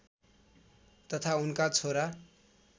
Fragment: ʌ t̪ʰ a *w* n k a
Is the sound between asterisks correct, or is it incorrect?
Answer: incorrect